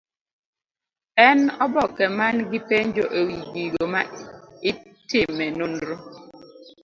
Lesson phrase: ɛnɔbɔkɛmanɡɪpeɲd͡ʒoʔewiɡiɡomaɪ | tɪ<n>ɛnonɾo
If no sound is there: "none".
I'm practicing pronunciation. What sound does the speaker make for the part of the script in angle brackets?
m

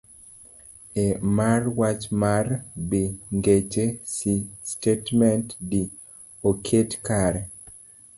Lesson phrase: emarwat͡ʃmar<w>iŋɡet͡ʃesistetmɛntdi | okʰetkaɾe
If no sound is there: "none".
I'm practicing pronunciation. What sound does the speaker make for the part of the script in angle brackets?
b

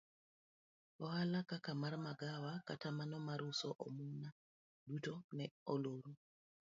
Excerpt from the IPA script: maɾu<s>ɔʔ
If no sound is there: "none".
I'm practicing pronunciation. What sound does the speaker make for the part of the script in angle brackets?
s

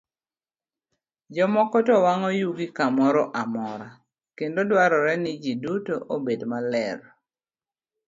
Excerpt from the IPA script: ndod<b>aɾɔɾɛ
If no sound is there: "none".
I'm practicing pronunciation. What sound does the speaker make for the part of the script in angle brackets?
w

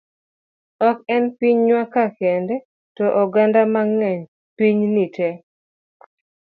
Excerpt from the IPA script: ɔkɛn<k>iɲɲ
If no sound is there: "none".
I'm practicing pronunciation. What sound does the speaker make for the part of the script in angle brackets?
p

